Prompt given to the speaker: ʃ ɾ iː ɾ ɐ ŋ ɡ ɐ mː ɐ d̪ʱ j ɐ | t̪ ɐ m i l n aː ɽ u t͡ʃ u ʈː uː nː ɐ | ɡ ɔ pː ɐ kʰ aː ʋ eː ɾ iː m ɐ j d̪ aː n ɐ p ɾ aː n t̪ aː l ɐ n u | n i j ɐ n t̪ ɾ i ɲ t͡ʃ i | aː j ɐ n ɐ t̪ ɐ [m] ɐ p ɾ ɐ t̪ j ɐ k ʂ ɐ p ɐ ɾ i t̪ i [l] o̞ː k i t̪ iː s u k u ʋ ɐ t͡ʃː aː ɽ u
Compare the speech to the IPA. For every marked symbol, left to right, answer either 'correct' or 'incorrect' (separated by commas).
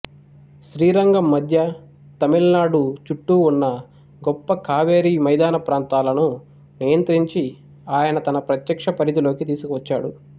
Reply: incorrect, correct